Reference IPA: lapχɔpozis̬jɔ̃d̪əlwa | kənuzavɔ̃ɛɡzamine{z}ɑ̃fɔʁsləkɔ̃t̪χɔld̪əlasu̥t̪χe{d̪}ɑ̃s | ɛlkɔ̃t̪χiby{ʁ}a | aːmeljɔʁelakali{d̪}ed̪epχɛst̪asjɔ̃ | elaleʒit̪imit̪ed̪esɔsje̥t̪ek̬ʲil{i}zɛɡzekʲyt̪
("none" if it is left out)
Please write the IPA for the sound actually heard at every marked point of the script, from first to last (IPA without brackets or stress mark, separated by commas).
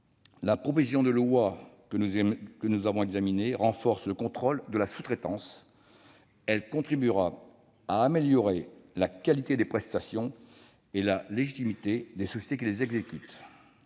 ʁ, t̪, ʁ, t̪, e